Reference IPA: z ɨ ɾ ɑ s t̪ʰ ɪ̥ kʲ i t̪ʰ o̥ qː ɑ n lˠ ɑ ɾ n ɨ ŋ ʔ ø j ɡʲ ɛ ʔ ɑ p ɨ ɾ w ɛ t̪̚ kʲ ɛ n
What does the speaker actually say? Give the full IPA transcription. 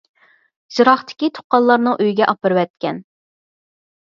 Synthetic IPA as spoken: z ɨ ɾ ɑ χ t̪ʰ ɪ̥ kʲ i t̪ʰ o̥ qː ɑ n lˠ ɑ ɾ n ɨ ŋ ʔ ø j ɡʲ ɛ ʔ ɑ p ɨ ɾ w ɛ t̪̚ kʲ ɛ n